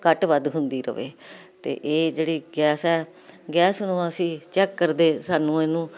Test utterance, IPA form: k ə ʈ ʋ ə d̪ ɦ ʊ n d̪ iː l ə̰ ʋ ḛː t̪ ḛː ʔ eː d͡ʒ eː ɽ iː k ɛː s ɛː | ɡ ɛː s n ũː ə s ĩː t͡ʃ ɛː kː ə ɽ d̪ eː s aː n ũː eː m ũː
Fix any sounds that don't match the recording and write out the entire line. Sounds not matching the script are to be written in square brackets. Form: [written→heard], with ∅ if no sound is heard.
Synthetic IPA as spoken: k ə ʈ ʋ ə d̪ ɦ ʊ n d̪ iː [l→ɾ] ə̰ ʋ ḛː t̪ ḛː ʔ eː d͡ʒ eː ɽ iː [k→ɡ] ɛː s ɛː | ɡ ɛː s n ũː ə s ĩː t͡ʃ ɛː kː ə [ɽ→ɾ] d̪ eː s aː n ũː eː [m→n] ũː